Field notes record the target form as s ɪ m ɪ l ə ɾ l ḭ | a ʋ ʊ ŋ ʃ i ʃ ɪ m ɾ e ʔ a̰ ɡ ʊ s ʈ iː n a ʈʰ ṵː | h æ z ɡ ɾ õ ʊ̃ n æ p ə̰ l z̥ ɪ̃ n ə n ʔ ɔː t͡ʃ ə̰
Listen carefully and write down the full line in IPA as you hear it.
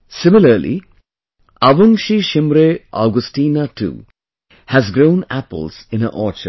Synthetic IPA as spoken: s ɪ m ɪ l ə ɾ l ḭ | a ʋ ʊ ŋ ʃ i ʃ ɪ m ɾ e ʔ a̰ ɡ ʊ s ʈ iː n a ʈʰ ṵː | h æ z ɡ ɾ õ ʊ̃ n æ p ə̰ l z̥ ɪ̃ n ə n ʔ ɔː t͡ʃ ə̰